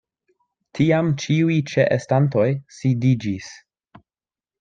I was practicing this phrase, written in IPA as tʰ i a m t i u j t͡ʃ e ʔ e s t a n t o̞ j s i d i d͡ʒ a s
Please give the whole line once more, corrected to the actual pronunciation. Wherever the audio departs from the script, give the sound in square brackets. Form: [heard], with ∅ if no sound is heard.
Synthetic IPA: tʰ i a m [t͡ʃ] i u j t͡ʃ e ʔ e s t a n t o̞ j s i d i d͡ʒ [i] s